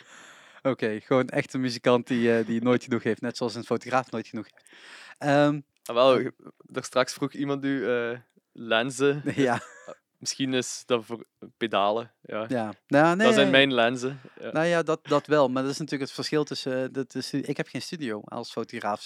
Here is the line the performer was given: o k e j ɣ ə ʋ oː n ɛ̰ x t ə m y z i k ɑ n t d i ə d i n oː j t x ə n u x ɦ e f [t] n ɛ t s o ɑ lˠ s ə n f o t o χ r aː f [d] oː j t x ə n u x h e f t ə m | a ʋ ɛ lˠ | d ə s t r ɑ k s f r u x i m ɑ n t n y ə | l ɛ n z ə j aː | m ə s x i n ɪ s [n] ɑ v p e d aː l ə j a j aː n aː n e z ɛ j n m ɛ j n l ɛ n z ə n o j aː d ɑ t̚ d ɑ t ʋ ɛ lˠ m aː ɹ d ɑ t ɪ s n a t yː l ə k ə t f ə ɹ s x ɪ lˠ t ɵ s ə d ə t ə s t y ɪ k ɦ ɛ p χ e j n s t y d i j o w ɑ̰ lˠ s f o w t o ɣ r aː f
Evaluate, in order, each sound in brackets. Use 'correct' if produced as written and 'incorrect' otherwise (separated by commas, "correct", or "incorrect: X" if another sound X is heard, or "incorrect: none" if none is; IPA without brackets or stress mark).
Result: correct, incorrect: n, incorrect: d